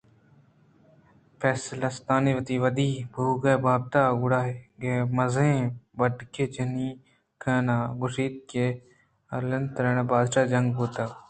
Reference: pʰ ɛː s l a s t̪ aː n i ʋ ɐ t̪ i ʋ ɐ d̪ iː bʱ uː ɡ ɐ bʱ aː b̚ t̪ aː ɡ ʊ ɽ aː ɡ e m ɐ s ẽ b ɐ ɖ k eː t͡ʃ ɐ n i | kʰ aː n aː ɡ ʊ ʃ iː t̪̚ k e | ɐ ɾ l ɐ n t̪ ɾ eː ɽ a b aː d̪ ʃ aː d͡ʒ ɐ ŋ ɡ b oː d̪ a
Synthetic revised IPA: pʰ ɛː s l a s t̪ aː n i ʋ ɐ t̪ i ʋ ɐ d̪ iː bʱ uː ɡ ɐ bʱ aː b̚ t̪ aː ɡ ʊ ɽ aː ɡ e m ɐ z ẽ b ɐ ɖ k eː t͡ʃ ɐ n i | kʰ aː n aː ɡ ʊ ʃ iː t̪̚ k e | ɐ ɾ l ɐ n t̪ ɾ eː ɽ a b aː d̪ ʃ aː d͡ʒ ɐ ŋ ɡ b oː t̪ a